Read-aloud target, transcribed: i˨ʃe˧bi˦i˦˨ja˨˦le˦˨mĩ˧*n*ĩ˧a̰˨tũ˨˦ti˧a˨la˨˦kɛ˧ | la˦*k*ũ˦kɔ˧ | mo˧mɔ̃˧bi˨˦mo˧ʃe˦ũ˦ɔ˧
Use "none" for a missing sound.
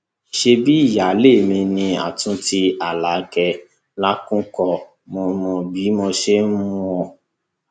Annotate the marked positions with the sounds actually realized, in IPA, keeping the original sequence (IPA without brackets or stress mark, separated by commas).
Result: n, k